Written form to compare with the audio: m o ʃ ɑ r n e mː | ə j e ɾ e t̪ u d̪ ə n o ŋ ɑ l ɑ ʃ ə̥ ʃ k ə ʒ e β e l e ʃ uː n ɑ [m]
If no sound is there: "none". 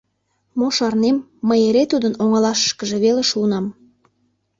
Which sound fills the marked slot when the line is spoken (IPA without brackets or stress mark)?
m